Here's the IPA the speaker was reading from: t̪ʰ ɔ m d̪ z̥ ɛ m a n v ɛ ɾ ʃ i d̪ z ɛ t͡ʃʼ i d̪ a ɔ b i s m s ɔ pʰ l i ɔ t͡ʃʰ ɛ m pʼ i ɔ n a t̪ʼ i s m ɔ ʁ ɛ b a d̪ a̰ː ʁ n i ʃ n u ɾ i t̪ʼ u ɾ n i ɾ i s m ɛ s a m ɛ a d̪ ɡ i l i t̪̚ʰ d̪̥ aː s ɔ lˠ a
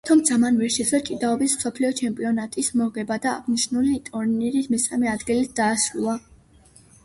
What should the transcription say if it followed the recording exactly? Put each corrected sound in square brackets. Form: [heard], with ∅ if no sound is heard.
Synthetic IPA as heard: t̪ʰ ɔ m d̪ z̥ [a] m a n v ɛ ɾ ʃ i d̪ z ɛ t͡ʃʼ i d̪ a ɔ b i s m s ɔ pʰ l i ɔ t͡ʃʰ ɛ m pʼ i ɔ n a t̪ʼ i s m ɔ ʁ ɛ b a d̪ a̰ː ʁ n i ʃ n u [l] i t̪ʼ u ɾ n i ɾ i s m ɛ s a m ɛ a d̪ ɡ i l i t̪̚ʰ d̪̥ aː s [u] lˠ a